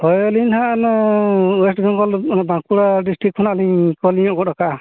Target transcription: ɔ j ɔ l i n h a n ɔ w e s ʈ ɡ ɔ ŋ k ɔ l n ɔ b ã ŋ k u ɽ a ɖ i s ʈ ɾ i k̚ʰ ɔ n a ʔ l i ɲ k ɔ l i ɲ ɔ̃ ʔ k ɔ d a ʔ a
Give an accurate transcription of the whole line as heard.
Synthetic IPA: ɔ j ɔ l i n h a n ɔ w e s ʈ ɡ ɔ ŋ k ɔ l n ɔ b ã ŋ k u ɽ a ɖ i s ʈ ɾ i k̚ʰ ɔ n a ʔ l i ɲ k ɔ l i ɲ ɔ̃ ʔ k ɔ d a k a